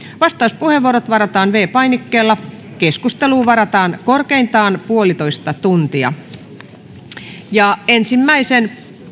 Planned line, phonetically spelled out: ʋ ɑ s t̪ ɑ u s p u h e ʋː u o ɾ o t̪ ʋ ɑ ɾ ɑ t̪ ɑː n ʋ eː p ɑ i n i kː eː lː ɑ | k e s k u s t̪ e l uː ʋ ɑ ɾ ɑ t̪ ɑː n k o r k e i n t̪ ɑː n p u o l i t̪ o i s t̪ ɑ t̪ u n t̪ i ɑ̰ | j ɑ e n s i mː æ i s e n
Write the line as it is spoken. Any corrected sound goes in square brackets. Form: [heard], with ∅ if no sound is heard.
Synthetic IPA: ʋ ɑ s t̪ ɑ u s p u h e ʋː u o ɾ o t̪ ʋ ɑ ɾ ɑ t̪ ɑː n ʋ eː p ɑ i n i kː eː lː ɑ | k e s k u s t̪ e l uː ʋ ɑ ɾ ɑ t̪ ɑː n k o r k e i n t̪ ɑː n p u o l i t̪ o i s t̪ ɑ t̪ u n t̪ i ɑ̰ | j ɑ e n s i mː æ i s e n